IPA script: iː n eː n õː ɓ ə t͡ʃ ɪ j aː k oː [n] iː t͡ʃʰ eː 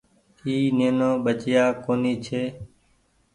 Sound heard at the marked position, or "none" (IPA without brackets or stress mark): n